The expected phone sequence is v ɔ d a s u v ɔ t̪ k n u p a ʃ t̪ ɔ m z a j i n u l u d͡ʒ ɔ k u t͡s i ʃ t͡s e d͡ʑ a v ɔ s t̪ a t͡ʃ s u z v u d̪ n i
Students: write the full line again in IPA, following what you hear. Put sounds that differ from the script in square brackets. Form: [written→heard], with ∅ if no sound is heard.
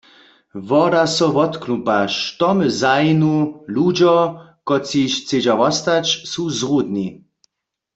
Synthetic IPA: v ɔ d a s [u→ɔ] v ɔ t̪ k n u p a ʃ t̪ ɔ m z a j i n u l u d͡ʒ ɔ k [u→ɔ] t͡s i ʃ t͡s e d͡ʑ a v ɔ s t̪ a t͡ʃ s u z [v→ʁ] u d̪ n i